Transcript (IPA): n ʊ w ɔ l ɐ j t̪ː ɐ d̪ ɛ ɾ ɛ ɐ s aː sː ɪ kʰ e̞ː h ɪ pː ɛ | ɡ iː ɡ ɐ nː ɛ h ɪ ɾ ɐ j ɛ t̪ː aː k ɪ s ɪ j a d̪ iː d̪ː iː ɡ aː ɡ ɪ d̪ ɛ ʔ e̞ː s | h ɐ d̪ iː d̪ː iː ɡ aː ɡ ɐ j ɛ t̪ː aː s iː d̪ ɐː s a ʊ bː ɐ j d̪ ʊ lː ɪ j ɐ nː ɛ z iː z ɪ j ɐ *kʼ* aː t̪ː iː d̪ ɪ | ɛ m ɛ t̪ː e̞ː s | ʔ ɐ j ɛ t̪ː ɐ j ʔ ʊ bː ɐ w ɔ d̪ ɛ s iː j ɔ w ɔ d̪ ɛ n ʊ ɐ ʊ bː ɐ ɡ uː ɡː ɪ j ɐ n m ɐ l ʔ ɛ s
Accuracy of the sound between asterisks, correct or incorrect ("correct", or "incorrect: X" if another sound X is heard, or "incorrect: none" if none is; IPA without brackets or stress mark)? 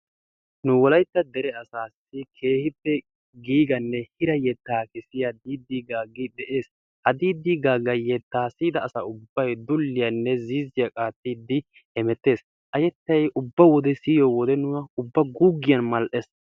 correct